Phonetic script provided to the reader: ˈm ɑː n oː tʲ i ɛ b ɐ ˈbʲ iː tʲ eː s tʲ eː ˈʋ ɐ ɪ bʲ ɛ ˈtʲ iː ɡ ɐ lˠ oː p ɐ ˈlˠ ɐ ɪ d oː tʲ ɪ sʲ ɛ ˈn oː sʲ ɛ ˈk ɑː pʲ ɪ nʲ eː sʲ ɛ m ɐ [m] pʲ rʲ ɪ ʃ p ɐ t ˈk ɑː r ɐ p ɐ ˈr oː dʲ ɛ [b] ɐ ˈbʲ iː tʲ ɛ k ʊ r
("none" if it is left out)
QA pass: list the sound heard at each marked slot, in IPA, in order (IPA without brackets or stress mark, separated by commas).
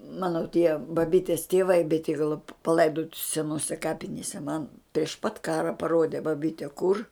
n, b